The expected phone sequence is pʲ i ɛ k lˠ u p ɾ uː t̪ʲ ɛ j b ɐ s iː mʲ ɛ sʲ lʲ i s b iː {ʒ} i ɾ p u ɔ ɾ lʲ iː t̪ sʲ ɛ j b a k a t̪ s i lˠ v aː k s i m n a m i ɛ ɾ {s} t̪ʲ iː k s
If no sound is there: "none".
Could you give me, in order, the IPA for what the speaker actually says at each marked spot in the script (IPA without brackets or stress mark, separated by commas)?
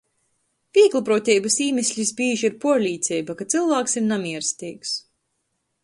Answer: ʒ, s